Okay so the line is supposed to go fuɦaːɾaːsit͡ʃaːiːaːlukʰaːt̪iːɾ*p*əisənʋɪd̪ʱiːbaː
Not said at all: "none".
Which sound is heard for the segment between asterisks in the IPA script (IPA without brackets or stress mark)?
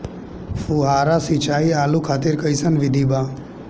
k